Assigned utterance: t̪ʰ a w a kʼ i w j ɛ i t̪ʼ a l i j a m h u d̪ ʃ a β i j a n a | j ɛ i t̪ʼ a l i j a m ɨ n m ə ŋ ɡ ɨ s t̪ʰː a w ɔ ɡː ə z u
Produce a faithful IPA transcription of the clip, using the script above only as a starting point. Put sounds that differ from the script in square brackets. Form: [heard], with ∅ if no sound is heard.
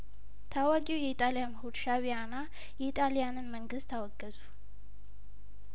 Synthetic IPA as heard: t̪ʰ a w a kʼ i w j ɛ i t̪ʼ a l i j a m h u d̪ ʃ a β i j a n a | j ɛ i t̪ʼ a l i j a [n] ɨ n m ə ŋ ɡ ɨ s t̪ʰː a w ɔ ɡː ə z u